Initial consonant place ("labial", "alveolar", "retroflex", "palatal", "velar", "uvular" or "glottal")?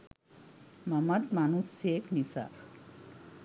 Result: labial